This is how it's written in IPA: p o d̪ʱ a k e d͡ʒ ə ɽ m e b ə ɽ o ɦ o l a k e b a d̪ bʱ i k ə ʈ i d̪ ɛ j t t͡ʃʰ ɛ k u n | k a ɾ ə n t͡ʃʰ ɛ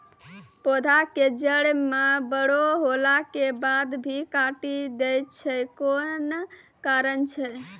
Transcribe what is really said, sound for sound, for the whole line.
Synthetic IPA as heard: p o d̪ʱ a k e d͡ʒ ə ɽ m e b ə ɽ o ɦ o l a k e b a d̪ bʱ i k a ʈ i d̪ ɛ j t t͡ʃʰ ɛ k o n | k a ɾ ə n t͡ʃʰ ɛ